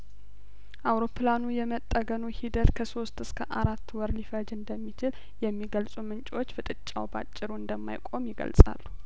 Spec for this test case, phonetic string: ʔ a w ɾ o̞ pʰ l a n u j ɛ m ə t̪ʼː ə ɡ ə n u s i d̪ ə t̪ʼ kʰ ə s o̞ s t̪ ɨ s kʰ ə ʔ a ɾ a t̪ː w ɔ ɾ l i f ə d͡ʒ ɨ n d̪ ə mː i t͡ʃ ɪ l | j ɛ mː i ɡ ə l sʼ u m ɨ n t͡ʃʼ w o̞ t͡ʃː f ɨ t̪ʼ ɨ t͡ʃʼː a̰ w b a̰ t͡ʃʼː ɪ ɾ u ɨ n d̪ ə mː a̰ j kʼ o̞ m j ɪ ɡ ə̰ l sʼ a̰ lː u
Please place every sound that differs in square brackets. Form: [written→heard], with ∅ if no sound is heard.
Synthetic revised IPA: ʔ a w ɾ o̞ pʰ l a n u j ɛ m ə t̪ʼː ə ɡ ə n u [s→h] i d̪ ə [t̪ʼ→t̪] kʰ ə s o̞ s t̪ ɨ s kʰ ə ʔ a ɾ a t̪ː w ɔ ɾ l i f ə d͡ʒ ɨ n d̪ ə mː i t͡ʃ ɪ l | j ɛ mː i ɡ ə l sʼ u m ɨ n t͡ʃʼ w o̞ t͡ʃː f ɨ t̪ʼ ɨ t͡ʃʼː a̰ w b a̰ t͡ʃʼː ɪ ɾ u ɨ n d̪ ə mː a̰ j kʼ o̞ m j ɪ ɡ ə̰ l sʼ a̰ lː u